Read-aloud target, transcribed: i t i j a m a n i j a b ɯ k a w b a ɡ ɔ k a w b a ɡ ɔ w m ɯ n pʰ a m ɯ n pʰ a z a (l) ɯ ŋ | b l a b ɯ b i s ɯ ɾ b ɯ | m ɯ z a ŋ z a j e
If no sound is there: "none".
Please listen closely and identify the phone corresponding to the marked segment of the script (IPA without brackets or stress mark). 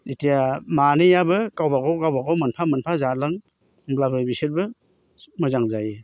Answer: l